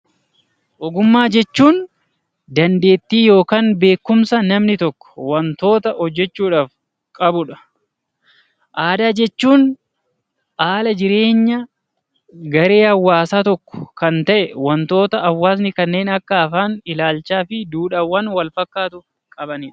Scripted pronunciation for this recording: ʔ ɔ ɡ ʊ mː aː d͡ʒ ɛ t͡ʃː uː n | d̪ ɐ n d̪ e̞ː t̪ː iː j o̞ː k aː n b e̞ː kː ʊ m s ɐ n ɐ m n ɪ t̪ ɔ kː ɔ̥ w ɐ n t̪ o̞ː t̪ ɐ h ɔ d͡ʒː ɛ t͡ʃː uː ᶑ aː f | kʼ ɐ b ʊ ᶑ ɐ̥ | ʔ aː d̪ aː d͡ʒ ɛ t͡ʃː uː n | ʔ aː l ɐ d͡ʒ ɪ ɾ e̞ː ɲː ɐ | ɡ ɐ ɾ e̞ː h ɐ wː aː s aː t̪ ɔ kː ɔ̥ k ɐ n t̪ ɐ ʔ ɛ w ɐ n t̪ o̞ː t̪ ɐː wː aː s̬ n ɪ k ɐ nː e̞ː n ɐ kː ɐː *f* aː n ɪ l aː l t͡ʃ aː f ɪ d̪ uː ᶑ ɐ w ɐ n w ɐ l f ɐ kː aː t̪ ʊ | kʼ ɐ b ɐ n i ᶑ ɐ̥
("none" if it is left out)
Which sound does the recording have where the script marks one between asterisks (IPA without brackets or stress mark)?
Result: f